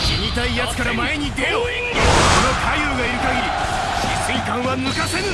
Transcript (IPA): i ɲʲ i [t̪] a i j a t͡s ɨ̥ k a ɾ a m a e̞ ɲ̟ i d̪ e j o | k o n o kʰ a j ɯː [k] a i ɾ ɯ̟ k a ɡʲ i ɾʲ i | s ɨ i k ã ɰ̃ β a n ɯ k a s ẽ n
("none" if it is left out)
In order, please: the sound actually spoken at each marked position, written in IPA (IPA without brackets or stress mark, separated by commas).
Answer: t̪, ɡ